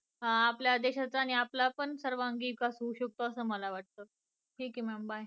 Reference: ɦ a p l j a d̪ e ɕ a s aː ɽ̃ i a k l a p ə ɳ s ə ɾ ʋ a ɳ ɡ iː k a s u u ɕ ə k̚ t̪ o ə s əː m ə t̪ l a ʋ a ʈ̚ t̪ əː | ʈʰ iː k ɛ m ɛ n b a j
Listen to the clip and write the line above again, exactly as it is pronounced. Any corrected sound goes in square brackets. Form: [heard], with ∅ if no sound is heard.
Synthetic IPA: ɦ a p l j a d̪ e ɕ a [t͡s] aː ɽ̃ i a [p] l a p ə ɳ s ə ɾ ʋ a [ŋ] ɡ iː k a s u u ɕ ə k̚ t̪ o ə s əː m ə [∅] l a ʋ a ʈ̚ t̪ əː | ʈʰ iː k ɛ m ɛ [m] b a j

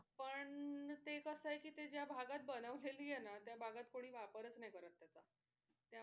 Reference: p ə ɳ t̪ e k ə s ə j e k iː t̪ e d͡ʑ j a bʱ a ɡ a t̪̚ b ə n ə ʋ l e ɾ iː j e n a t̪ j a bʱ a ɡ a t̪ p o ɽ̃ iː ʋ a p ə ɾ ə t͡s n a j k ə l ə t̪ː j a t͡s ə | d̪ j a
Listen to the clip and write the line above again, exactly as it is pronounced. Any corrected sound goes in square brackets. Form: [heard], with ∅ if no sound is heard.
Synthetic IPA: p ə ɳ t̪ e k ə s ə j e k iː t̪ e d͡ʑ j a bʱ a ɡ a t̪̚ b ə n ə ʋ l e [l] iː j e n a t̪ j a bʱ a ɡ a t̪ [k] o ɽ̃ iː ʋ a p ə ɾ ə t͡s n a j k ə [ɾ] ə t̪ː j a t͡s [a] | [t̪] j a

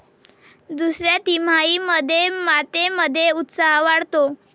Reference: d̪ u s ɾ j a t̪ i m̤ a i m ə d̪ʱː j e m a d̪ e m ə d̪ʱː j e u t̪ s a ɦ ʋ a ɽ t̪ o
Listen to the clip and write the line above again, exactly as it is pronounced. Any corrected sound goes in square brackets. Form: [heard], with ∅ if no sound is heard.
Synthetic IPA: d̪ u s ɾ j a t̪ i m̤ a i m ə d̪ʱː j e m a [t̪] e m ə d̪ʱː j e u t̪ s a ɦ ʋ a ɽ t̪ o

